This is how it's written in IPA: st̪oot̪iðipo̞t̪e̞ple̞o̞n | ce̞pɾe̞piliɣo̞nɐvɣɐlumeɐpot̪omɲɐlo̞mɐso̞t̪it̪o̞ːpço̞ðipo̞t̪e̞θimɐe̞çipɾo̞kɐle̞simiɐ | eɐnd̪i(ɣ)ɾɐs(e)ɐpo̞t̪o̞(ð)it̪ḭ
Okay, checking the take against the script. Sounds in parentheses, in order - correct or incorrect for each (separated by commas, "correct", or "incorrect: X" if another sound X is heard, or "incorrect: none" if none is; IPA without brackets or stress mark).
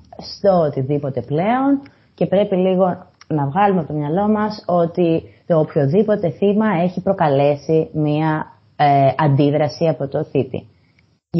incorrect: ð, incorrect: i, incorrect: θ